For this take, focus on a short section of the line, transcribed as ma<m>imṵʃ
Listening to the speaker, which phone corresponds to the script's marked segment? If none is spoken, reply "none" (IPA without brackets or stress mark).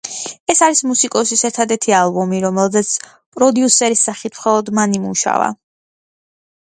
n